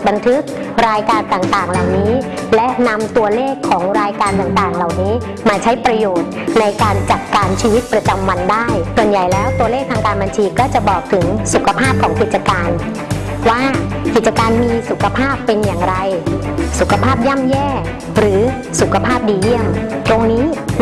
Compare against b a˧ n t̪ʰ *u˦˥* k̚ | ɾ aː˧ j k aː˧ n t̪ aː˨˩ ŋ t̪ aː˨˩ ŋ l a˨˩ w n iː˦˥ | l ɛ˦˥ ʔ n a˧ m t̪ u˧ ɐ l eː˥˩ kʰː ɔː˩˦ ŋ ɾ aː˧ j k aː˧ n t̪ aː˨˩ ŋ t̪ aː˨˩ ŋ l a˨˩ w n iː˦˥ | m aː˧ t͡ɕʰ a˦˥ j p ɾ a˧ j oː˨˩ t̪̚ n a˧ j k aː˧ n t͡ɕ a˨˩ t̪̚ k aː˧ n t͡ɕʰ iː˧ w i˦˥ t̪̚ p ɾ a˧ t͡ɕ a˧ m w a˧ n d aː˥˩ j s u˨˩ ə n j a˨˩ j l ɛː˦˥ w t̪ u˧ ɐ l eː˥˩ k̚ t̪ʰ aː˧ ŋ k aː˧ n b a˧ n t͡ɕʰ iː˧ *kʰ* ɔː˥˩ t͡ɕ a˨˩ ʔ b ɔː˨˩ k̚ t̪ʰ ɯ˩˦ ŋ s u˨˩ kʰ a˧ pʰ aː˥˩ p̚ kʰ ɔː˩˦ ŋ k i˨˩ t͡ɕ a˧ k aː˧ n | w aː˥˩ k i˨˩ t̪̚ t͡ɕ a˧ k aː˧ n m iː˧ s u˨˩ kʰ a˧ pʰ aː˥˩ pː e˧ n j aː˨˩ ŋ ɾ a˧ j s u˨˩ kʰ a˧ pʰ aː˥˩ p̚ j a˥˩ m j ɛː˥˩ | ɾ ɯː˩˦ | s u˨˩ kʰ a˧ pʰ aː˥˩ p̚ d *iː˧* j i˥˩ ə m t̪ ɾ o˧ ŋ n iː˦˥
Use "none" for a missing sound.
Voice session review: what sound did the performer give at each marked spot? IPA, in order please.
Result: ɯ˦˥, k, iː˧

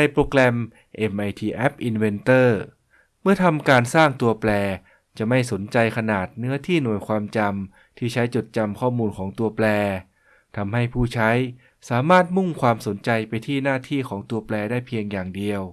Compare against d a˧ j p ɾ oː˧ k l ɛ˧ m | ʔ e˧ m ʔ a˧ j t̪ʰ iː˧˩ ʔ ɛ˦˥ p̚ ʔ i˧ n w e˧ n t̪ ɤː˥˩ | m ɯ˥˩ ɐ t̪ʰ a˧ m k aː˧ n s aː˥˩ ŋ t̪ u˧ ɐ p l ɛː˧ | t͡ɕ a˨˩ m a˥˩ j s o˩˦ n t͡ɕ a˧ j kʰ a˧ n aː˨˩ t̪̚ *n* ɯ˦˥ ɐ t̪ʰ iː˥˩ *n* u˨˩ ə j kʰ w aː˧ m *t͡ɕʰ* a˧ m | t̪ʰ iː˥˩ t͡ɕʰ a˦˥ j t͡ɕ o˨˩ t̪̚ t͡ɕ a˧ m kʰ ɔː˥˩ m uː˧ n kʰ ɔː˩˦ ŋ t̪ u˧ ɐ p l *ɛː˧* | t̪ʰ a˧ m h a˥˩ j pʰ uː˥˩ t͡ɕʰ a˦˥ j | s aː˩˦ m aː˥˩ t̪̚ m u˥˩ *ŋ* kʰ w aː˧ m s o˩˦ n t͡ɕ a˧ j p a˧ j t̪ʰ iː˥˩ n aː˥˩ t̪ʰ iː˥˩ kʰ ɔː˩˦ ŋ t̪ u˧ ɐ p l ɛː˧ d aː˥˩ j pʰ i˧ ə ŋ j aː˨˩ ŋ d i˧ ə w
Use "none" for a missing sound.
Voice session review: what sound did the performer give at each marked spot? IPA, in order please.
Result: n, n, t͡ɕ, ɛː˧, ŋ

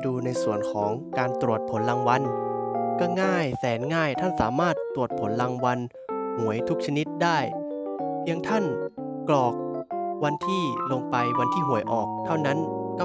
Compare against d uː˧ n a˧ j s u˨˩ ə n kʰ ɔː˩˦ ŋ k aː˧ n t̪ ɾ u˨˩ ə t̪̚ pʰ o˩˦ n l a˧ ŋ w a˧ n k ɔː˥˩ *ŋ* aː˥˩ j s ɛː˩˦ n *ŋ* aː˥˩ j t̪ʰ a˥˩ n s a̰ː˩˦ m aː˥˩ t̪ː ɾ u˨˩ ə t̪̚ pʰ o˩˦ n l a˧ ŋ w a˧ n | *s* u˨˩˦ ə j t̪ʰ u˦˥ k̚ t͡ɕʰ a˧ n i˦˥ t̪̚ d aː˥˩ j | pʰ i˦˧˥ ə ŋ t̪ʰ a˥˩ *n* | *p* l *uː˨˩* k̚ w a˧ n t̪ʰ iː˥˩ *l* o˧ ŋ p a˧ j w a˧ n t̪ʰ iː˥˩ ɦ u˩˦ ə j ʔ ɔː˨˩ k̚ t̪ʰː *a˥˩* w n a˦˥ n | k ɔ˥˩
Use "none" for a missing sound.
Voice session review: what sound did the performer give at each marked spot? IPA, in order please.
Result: ŋ, ŋ, h, n, k, ɔː˨˩, l, a˥˩

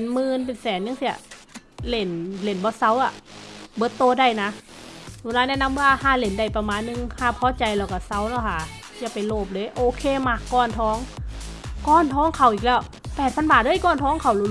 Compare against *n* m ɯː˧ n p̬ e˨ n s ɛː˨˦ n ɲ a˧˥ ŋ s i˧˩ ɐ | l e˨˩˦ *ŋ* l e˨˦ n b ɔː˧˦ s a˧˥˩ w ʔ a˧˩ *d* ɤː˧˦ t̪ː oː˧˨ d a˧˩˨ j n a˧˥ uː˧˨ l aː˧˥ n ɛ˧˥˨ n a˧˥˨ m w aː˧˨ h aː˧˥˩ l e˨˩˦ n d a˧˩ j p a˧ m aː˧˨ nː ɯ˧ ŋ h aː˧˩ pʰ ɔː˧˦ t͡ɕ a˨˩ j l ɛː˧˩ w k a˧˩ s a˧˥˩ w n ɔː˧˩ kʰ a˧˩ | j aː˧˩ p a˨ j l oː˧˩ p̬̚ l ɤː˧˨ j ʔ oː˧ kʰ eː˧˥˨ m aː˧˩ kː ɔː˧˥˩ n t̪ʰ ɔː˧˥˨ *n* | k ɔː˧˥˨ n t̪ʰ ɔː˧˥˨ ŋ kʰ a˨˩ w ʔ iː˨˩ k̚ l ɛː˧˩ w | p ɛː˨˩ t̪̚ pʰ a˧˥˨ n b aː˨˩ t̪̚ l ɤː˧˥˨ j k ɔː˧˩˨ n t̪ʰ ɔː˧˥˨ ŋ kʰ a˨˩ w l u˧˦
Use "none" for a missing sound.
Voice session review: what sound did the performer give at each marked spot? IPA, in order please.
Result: n, n, b, ŋ

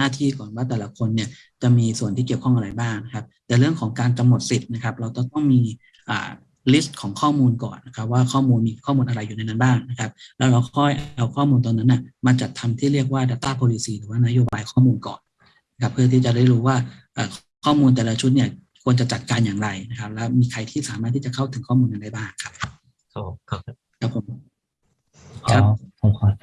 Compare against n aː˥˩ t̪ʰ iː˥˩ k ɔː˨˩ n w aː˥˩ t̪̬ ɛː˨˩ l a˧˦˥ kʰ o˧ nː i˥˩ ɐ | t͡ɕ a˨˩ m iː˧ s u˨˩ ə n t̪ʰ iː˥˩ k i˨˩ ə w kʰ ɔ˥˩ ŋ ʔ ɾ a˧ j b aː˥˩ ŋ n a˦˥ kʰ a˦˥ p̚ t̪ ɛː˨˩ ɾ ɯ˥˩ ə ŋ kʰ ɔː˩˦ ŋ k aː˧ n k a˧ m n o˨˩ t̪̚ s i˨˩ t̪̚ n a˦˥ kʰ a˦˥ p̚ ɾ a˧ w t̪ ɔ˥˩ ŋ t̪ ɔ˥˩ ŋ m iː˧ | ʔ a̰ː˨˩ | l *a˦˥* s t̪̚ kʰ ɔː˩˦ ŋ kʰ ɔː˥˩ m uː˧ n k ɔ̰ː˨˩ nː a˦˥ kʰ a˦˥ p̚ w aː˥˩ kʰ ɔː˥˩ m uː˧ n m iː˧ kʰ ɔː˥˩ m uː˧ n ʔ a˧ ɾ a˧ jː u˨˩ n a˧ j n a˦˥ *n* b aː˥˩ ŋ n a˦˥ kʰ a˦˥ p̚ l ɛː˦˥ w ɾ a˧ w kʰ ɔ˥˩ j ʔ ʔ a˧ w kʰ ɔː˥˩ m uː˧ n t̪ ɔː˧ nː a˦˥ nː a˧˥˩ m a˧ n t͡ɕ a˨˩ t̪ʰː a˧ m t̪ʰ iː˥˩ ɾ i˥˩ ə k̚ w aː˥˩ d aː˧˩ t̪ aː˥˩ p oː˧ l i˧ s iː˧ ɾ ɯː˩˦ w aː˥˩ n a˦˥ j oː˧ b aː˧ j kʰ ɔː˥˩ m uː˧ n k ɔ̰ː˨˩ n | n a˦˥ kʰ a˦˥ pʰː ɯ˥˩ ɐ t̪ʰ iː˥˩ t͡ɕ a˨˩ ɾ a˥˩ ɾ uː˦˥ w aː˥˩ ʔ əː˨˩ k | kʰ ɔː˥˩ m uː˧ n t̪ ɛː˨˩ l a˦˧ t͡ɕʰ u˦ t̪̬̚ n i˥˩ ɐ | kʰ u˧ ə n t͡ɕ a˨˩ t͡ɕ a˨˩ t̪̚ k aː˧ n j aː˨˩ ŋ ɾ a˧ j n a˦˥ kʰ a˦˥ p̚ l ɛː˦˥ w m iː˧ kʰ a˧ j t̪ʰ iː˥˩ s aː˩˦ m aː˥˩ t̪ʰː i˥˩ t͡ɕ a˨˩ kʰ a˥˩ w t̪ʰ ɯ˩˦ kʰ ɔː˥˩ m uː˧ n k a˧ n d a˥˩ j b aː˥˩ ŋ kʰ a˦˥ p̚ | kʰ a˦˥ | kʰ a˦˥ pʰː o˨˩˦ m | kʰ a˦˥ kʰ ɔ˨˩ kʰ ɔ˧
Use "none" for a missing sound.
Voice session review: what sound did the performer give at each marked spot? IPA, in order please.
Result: i˦˥, n

